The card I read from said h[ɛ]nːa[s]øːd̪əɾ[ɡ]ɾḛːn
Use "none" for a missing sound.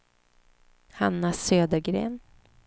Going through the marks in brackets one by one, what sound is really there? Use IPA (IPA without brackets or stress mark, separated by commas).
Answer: a, s, ɡ